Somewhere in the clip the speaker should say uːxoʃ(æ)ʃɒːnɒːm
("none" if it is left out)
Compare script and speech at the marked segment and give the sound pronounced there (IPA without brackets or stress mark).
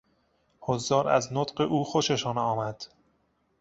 e